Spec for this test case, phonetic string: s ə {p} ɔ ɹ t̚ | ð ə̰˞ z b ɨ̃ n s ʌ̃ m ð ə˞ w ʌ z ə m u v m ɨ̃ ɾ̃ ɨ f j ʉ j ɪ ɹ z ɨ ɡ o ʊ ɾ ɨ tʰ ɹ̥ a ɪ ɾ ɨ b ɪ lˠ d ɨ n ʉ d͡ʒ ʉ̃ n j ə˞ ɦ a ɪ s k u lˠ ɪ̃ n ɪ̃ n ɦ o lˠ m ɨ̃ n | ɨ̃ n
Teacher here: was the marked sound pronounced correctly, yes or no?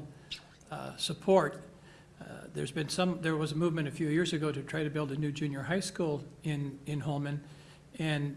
no